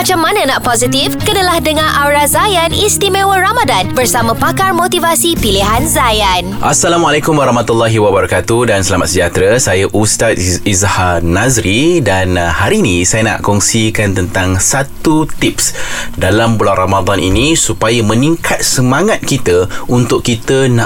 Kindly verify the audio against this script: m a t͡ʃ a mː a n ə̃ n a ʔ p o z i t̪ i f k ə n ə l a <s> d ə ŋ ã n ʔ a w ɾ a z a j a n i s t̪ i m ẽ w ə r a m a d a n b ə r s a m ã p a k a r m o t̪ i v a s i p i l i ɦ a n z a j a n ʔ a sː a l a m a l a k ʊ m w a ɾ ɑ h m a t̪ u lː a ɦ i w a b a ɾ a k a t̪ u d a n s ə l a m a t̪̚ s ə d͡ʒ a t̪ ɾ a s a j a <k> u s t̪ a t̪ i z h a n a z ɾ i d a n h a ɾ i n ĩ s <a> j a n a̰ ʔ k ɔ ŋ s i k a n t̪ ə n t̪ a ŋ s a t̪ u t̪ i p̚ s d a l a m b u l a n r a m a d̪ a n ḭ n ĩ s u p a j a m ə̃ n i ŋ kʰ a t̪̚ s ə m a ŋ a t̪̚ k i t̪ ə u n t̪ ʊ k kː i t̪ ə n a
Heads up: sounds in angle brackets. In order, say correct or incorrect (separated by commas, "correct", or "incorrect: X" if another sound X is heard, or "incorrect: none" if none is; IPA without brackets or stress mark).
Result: incorrect: h, incorrect: ʔ, correct